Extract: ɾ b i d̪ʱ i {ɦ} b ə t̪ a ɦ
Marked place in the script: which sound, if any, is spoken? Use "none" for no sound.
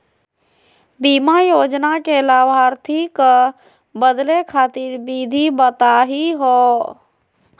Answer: none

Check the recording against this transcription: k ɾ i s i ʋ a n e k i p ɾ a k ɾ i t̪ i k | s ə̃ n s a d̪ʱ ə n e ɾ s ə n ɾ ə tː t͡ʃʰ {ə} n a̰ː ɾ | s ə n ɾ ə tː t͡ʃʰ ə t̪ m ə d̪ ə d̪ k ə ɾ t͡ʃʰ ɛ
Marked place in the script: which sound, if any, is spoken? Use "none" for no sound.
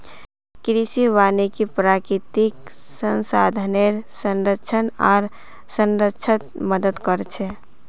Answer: ə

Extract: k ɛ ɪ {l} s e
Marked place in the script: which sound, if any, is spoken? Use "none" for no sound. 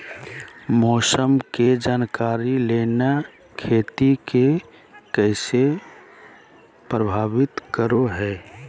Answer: none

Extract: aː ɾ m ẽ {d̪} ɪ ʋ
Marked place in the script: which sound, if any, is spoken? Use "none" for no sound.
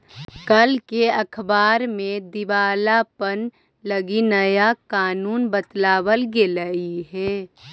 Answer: d̪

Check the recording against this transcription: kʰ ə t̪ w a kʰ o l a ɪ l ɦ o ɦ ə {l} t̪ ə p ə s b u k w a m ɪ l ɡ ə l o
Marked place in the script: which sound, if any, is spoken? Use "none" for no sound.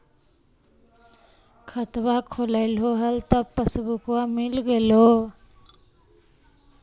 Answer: l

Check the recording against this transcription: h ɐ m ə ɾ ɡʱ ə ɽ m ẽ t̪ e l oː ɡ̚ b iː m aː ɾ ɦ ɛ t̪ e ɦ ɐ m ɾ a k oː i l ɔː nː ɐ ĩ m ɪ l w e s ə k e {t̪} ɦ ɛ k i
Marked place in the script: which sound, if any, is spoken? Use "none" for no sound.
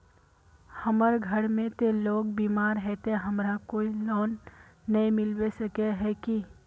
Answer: none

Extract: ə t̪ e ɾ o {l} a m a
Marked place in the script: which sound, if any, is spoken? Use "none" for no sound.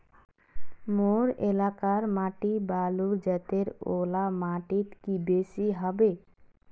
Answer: l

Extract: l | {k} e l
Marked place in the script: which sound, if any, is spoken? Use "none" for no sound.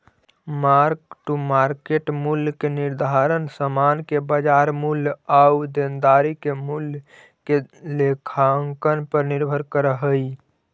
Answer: k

